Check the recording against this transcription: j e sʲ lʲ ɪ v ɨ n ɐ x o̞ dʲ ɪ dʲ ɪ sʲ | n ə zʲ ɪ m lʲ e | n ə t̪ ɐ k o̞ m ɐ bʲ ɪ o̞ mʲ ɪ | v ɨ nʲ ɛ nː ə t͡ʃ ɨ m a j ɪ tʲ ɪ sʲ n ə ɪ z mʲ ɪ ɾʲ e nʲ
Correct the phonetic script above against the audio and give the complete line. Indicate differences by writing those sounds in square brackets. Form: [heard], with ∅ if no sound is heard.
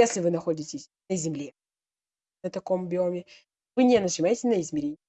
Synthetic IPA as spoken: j e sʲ lʲ ɪ v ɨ n ɐ x o̞ dʲ ɪ [tʲ] ɪ sʲ | n ə zʲ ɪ m lʲ e | n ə t̪ ɐ k o̞ m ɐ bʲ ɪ o̞ mʲ ɪ | v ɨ nʲ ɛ [n] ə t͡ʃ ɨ m a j ɪ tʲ ɪ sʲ n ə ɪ z mʲ ɪ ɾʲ e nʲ